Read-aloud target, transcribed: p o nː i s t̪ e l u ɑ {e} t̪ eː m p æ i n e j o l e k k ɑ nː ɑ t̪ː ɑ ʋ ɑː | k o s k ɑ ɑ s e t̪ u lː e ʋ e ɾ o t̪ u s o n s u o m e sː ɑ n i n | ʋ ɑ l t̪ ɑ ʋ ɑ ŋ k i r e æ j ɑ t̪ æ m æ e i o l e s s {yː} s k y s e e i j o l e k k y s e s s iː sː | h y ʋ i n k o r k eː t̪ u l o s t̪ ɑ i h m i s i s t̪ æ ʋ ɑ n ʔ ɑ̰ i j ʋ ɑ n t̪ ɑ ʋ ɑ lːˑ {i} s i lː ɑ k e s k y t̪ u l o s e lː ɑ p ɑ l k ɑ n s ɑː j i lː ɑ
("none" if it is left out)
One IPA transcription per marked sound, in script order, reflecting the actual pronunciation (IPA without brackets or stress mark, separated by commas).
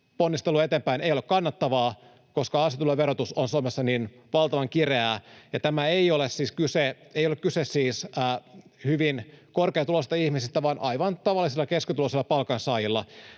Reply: e, iː, i